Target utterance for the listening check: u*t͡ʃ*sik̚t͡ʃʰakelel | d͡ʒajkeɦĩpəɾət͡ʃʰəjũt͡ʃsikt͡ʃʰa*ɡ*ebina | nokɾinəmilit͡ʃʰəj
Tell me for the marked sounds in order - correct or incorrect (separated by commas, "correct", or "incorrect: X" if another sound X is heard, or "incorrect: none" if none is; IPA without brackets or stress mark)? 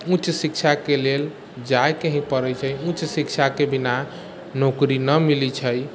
correct, incorrect: k